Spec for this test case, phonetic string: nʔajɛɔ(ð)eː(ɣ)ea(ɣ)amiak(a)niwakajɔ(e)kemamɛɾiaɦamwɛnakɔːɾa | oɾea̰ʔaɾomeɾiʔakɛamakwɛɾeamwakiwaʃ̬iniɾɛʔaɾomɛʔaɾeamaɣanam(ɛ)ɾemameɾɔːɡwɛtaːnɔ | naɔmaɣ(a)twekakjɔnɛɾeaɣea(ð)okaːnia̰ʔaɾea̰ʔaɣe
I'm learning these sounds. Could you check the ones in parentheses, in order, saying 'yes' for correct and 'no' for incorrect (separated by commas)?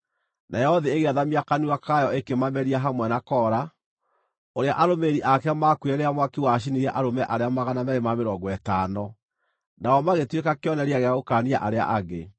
yes, yes, no, yes, yes, yes, no, no